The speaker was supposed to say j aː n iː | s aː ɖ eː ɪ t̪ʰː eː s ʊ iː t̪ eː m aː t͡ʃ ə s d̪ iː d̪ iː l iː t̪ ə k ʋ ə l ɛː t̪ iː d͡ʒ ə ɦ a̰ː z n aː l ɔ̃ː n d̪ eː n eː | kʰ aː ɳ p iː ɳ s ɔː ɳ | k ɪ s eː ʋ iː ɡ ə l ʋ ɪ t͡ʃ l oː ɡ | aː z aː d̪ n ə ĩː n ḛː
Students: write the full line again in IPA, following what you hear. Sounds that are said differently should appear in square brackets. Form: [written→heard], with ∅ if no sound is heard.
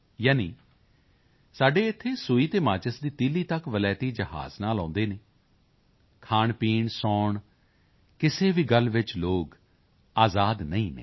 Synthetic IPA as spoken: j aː n iː | s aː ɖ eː ɪ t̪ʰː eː s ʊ iː t̪ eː m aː t͡ʃ ə s d̪ iː [d̪→t̪] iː l iː t̪ ə k ʋ ə l ɛː t̪ iː d͡ʒ ə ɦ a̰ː z n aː l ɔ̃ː n d̪ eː n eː | kʰ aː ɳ p iː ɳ s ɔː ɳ | k ɪ s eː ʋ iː ɡ ə l ʋ ɪ t͡ʃ l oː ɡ | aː z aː d̪ n ə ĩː n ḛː